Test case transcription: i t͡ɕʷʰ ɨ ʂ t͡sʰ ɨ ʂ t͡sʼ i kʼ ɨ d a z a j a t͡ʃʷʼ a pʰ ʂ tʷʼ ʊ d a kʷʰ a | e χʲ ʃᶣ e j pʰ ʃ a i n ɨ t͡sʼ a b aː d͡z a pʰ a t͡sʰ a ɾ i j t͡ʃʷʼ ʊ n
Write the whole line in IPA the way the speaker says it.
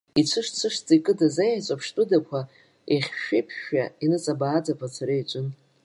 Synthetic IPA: i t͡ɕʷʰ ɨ ʂ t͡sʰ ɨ ʂ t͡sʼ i kʼ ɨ d a z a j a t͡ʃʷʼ a pʰ ʂ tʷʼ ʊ d a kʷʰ a | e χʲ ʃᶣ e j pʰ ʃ a i n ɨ t͡sʼ a b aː d͡z a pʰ a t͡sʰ a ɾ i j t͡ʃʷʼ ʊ n